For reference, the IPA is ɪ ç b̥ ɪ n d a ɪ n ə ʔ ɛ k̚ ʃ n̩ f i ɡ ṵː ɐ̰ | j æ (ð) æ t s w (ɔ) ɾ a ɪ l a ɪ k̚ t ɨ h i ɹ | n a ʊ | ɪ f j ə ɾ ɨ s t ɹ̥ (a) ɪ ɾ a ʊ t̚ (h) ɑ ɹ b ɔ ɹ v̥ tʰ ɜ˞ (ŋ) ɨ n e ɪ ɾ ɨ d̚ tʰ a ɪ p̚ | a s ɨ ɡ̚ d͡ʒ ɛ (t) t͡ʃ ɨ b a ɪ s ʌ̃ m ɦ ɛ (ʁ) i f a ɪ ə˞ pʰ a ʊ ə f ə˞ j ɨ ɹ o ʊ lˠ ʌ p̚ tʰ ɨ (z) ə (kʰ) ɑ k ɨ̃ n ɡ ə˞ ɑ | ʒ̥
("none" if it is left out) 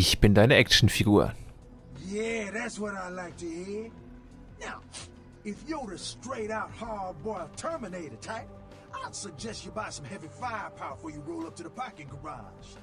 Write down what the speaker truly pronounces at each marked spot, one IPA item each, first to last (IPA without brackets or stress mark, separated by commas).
ð, ʌ, e, h, m, s, v, ð, pʰ